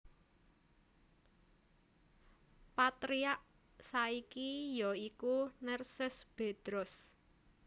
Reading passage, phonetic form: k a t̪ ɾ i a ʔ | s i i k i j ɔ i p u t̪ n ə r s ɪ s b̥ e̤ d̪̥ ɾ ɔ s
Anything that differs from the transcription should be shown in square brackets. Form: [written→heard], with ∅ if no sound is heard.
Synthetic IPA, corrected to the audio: [k→p] a t̪ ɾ i a ʔ | s [i→a] i k i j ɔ i [p→k] u [t̪→∅] n ə r s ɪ s b̥ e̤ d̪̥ ɾ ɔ s

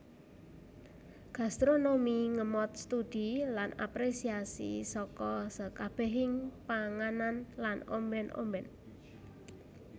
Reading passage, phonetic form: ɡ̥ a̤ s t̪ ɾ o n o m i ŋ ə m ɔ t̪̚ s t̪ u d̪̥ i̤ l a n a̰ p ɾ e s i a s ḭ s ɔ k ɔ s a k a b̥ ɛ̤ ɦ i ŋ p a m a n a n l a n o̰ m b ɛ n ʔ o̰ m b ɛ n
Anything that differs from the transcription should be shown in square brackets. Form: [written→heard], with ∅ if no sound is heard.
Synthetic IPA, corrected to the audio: ɡ̥ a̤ s t̪ ɾ o n o m i ŋ ə m ɔ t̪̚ s t̪ u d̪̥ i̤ l a n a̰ p ɾ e s i a s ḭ s ɔ k ɔ s [a→ə] k a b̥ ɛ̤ ɦ [i→ɪ] ŋ p a [m→ŋ] a n a n l a n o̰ m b ɛ n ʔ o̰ m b ɛ n

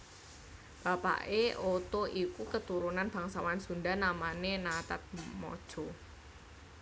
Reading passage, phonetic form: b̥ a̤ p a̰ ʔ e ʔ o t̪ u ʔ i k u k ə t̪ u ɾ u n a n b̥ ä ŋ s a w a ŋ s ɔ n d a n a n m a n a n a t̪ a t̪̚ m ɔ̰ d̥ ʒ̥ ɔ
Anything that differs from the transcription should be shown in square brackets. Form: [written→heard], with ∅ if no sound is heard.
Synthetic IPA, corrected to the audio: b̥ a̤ p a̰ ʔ e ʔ o t̪ [u→o] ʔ i k u k ə t̪ u ɾ u n a n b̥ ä ŋ s a w a [ŋ→n] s [ɔ→u] n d a n a [n→∅] m a n [a→e] n a t̪ a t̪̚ m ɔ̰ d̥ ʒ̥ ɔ

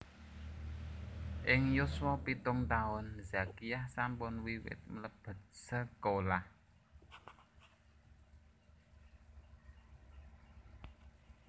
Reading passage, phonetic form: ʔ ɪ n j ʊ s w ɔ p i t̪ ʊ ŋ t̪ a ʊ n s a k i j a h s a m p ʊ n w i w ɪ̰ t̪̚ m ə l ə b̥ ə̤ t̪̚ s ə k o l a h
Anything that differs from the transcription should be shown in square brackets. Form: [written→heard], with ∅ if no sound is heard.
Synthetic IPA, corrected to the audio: ʔ ɪ [n→ŋ] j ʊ s w ɔ p i t̪ ʊ ŋ t̪ a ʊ n [s→z] a k i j a h s a m p ʊ n w i w ɪ̰ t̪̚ m ə l ə b̥ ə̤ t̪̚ s ə k o l a h

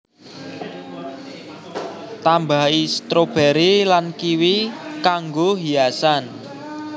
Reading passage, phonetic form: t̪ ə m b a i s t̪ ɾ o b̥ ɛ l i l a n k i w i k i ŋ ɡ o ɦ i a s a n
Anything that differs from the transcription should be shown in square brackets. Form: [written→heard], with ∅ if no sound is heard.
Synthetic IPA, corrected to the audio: t̪ [ə→a] m b a i s t̪ ɾ o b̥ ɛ [l→ɾ] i l a n k i w i k [i→a] ŋ ɡ o ɦ i a s a n

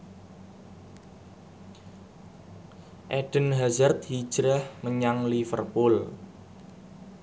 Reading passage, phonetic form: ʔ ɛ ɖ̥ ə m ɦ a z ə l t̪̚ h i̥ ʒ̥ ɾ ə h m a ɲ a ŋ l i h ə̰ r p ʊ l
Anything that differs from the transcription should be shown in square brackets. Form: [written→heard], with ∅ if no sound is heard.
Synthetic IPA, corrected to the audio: ʔ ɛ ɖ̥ ə [m→n] ɦ a z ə [l→r] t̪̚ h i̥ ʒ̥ ɾ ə h m [a→ə] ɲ a ŋ l i [h→f] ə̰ r p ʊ l

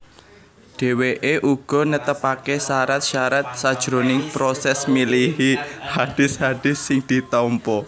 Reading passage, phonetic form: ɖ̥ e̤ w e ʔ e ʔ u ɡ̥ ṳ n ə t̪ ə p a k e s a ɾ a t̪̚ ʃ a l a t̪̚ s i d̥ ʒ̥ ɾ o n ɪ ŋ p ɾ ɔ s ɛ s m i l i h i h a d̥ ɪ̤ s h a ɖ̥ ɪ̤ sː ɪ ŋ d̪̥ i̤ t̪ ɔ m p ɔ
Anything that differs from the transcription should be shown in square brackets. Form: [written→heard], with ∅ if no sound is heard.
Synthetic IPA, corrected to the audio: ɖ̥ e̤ w e ʔ e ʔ u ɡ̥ [ṳ→ɔ̤] n ə t̪ ə p a k e s a ɾ a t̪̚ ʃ a [l→ɾ] a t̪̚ s [i→a] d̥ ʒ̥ ɾ o n ɪ ŋ p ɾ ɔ s ɛ s m i l i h i h a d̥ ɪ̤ s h a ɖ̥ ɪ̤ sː ɪ ŋ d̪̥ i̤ t̪ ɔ m p ɔ

